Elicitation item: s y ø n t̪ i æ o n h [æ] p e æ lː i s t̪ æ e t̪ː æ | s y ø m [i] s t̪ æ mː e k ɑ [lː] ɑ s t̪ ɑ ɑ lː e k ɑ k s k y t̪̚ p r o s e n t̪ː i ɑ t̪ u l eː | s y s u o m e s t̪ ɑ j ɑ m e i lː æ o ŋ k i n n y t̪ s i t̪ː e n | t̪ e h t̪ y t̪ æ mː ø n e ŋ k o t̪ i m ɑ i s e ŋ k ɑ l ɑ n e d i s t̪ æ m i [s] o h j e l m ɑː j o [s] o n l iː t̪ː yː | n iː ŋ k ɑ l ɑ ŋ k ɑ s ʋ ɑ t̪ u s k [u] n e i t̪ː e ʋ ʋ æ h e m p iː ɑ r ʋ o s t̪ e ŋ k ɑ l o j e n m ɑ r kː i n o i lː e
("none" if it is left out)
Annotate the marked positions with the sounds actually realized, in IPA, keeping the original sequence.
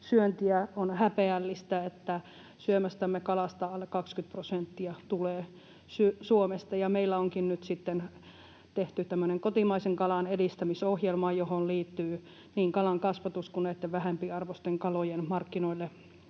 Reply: æ, æ, l, s, h, u

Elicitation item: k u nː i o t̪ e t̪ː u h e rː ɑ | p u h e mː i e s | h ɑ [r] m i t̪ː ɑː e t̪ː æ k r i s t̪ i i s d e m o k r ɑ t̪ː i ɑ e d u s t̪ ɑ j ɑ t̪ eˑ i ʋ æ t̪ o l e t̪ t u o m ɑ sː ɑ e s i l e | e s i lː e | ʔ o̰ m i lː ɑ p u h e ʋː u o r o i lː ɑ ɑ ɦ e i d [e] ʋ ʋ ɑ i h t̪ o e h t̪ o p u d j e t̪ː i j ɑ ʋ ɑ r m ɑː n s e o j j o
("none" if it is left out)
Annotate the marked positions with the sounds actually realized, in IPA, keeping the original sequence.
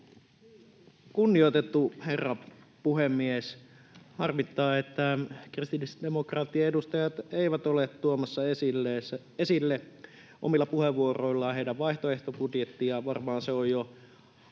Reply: r, æ

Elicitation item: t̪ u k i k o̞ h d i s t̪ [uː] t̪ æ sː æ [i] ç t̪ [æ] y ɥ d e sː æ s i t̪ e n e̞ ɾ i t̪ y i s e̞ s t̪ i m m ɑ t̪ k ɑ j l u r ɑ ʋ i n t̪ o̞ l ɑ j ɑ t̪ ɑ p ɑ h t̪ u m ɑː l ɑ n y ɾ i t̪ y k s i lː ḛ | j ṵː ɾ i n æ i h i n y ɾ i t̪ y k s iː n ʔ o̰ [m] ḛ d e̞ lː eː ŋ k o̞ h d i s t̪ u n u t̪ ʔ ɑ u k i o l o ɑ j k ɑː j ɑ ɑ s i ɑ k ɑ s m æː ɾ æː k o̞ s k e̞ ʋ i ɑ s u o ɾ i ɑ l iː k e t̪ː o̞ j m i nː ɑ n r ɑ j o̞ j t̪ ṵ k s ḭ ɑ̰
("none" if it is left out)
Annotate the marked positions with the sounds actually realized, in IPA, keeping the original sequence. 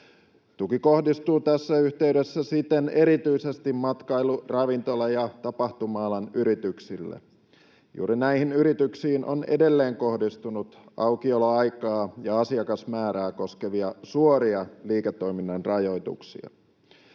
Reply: uː, y, e, n

